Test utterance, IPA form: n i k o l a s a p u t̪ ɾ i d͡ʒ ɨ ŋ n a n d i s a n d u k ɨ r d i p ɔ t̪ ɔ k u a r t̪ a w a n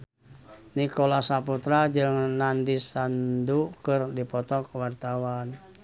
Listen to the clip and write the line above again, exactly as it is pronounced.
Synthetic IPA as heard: n i k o l a s a p u t̪ ɾ a d͡ʒ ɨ ŋ n a n d i s a n d u k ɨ r d i p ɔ t̪ ɔ k w a r t̪ a w a n